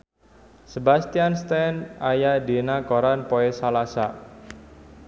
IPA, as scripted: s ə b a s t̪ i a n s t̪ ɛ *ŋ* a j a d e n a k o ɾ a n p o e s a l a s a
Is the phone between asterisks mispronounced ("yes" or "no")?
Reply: yes